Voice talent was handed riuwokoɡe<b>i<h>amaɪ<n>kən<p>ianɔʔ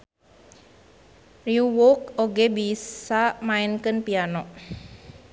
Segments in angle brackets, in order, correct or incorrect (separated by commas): correct, incorrect, correct, correct